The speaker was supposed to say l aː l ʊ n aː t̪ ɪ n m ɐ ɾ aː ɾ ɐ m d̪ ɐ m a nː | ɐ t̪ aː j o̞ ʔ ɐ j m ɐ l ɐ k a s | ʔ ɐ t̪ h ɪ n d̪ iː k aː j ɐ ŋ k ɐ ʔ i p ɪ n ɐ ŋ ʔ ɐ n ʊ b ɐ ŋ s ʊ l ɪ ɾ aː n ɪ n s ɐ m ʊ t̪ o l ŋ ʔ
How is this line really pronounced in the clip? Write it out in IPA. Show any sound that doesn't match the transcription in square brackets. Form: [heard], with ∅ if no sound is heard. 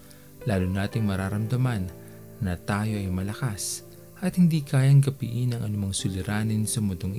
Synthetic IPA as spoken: l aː l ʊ n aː t̪ ɪ [ŋ] m ɐ ɾ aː ɾ ɐ m d̪ ɐ m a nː | ɐ t̪ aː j o̞ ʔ ɐ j m ɐ l ɐ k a s | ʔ ɐ t̪ h ɪ n d̪ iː k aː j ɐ ŋ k ɐ [p] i [ʔ] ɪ n ɐ ŋ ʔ ɐ n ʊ [m] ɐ ŋ s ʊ l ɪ ɾ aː n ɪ n s ɐ m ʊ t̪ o [∅] ŋ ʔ